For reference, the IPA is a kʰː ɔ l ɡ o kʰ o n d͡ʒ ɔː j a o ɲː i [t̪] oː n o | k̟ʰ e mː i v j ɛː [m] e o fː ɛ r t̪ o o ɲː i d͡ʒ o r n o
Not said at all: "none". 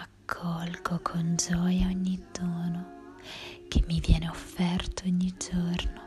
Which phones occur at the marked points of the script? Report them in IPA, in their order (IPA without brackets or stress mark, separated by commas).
d̪, n